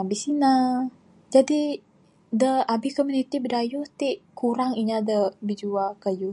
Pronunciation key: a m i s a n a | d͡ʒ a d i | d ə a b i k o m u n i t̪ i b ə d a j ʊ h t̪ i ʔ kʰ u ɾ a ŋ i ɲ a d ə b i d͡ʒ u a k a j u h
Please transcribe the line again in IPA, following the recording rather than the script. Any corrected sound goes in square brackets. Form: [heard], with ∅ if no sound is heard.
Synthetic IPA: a [b] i s [i] n a | d͡ʒ a d i | d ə a b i k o m u n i t̪ i b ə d a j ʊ h t̪ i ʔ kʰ u ɾ a ŋ i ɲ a d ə b i d͡ʒ u a k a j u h